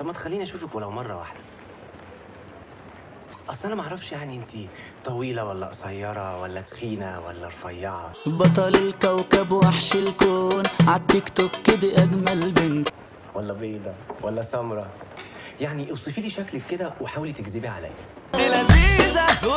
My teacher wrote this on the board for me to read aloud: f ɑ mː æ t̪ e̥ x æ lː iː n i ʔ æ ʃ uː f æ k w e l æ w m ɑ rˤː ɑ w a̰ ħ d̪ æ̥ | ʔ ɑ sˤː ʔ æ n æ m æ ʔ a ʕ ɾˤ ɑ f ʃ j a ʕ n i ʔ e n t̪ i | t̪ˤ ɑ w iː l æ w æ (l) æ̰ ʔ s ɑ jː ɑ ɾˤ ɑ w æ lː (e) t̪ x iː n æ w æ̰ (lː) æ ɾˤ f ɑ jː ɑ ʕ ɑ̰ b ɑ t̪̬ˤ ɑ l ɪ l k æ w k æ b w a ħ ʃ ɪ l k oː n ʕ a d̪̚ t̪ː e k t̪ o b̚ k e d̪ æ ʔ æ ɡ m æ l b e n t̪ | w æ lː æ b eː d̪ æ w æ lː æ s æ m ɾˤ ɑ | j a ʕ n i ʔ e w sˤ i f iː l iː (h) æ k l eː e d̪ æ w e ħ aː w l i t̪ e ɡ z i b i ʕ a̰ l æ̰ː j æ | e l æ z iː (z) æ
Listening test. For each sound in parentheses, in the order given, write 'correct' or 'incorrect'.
incorrect: lː, incorrect: æ, correct, incorrect: ʃ, correct

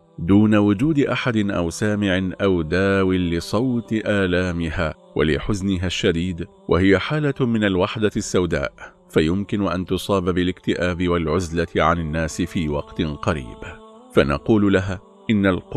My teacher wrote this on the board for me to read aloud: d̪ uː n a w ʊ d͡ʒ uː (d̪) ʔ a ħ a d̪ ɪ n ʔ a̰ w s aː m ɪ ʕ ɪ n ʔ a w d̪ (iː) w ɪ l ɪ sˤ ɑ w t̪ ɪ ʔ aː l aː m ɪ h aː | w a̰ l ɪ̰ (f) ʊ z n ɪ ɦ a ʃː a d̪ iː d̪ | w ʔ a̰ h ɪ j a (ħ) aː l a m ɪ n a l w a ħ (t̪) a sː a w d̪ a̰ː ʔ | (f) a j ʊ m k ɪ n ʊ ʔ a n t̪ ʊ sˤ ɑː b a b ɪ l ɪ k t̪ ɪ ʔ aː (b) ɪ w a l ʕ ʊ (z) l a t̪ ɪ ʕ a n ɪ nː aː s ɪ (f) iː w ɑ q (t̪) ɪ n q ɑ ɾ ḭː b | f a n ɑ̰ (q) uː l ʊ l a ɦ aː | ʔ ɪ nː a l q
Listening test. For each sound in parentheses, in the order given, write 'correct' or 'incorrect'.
correct, incorrect: aː, incorrect: ħ, correct, incorrect: d̪, correct, correct, correct, correct, correct, correct

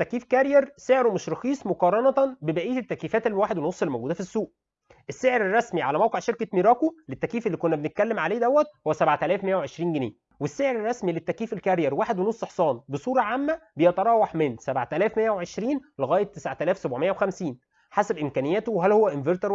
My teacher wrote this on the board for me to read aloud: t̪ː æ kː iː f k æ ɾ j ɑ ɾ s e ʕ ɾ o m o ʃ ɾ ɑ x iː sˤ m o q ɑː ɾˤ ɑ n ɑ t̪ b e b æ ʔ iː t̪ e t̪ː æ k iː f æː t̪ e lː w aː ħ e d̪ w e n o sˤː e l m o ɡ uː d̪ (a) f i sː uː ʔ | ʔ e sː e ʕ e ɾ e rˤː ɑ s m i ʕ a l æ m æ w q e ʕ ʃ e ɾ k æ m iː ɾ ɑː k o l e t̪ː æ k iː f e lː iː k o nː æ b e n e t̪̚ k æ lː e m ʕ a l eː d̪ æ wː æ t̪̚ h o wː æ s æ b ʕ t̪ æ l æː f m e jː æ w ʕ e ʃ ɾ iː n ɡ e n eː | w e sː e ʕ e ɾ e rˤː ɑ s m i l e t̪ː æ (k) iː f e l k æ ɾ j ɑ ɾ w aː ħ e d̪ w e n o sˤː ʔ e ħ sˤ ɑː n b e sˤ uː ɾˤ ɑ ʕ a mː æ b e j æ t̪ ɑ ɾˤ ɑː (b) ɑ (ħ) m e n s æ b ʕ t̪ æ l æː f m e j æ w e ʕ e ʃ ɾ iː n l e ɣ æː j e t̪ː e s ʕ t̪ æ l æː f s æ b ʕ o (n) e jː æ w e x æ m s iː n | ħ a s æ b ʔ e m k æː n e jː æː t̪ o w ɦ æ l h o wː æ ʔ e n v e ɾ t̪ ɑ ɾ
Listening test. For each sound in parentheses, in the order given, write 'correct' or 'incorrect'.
incorrect: æ, correct, incorrect: w, correct, incorrect: m

